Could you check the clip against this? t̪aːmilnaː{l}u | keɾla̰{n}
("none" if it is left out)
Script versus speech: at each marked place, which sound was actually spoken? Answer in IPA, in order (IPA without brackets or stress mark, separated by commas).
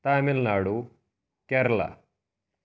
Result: ɽ, none